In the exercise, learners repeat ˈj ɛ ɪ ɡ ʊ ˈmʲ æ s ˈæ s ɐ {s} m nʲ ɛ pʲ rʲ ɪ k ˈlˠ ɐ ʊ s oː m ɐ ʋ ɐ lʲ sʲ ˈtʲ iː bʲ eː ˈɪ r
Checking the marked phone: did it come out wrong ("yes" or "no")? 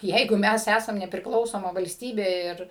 yes